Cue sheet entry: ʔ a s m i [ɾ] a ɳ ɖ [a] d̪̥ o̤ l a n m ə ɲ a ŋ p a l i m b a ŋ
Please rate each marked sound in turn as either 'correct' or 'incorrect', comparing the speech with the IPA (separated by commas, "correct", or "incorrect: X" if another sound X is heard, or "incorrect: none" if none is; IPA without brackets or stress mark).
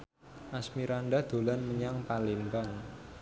correct, correct